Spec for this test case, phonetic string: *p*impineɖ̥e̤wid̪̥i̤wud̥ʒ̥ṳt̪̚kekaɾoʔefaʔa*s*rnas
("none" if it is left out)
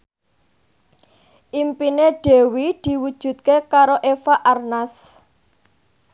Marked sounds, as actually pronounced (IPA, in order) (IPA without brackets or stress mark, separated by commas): ʔ, none